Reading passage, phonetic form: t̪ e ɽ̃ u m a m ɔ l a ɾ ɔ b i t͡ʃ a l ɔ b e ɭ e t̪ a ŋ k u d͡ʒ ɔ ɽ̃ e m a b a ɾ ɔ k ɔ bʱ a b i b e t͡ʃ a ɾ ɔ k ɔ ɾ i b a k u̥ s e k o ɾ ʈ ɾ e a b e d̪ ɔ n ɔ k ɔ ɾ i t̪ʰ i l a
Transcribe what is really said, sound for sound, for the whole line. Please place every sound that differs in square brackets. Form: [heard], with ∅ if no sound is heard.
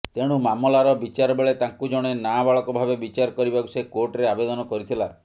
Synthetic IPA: t̪ e ɽ̃ u m a m ɔ l a ɾ ɔ b i t͡ʃ a [ɾ] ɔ b e ɭ e t̪ a ŋ k u d͡ʒ ɔ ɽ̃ e [n] a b a [ɭ] ɔ k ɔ bʱ a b [e] b [i] t͡ʃ a ɾ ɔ k ɔ ɾ i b a k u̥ s e k o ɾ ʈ ɾ e a b e d̪ ɔ n ɔ k ɔ ɾ i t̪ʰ i l a